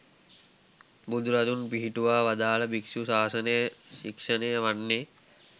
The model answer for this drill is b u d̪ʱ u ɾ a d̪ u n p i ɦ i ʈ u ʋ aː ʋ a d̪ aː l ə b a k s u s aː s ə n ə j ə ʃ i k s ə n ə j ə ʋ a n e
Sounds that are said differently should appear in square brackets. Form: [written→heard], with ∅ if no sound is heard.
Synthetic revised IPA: b u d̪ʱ u ɾ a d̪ u n p i ɦ i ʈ u ʋ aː ʋ a d̪ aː l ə b [a→i] k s u s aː s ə n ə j ə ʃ i k [s→ʂ] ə n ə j ə ʋ a [n→nː] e